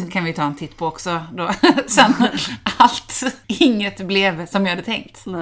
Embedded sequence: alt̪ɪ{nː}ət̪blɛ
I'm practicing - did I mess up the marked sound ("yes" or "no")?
yes